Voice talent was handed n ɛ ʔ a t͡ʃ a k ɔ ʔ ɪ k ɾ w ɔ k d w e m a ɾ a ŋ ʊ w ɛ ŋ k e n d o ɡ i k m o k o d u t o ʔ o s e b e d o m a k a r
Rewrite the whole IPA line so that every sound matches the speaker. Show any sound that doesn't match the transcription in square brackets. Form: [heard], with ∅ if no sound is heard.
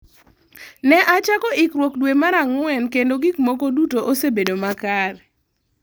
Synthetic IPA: n ɛ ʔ a t͡ʃ a k ɔ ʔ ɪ k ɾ w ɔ k d w e m a ɾ a ŋ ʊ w ɛ [n] k e n d o ɡ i k m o k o d u t o ʔ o s e b e d o m a k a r